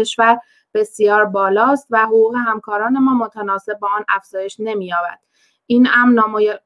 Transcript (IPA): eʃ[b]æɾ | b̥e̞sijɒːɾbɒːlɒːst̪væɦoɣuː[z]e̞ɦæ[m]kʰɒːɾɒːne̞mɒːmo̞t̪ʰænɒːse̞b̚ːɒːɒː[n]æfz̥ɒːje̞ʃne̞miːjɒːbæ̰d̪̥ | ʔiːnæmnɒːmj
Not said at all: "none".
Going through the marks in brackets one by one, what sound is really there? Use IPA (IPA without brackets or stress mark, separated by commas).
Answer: v, ɣ, m, n